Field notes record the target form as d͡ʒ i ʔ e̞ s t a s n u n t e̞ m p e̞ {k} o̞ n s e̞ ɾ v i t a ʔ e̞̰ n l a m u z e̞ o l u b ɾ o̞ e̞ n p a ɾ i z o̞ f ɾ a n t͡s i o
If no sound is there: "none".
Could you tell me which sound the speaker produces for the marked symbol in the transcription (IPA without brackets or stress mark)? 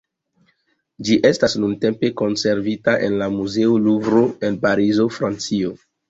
k